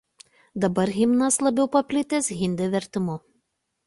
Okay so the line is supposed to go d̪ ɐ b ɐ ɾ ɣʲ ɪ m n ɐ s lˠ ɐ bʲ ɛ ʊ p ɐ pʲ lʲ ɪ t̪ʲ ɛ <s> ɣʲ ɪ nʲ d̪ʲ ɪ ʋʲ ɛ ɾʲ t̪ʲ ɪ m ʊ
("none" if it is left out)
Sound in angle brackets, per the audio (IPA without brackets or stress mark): s